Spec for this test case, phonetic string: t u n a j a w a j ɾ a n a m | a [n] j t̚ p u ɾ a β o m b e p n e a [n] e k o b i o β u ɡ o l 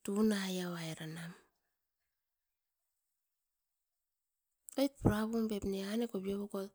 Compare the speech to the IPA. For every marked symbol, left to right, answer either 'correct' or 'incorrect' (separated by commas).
incorrect, correct